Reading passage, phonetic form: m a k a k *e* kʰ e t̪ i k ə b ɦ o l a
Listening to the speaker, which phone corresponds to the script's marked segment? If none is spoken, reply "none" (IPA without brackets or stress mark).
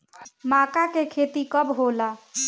e